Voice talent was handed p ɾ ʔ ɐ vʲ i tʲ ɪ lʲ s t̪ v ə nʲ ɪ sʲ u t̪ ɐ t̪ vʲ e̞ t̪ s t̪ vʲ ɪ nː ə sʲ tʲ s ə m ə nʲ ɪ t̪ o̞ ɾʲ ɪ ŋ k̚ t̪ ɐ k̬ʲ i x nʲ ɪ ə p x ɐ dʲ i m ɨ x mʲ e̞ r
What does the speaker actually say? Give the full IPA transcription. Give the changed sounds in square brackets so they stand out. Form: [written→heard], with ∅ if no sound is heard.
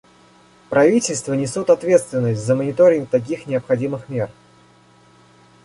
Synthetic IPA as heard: p ɾ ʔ ɐ vʲ i tʲ ɪ lʲ s t̪ v ə nʲ ɪ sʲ u t̪ ɐ t̪ vʲ e̞ t̪ s t̪ vʲ ɪ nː ə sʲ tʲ [s→z] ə m ə nʲ ɪ t̪ o̞ ɾʲ ɪ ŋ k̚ t̪ ɐ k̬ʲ i x nʲ ɪ ə p x ɐ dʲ i m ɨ x mʲ e̞ r